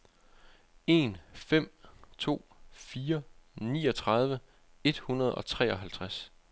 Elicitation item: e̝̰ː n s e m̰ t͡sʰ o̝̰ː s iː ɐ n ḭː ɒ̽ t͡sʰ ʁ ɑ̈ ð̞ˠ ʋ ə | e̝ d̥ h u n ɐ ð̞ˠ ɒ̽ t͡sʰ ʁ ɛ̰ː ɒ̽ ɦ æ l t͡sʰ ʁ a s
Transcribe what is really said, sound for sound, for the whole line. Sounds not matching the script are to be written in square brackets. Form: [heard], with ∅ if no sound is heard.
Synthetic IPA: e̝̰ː n [f] e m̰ t͡sʰ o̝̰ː [f] iː ɐ n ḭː ɒ̽ t͡sʰ ʁ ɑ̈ ð̞ˠ ʋ ə | e̝ d̥ h u n ɐ ð̞ˠ ɒ̽ t͡sʰ ʁ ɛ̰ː ɒ̽ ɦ æ l t͡sʰ ʁ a s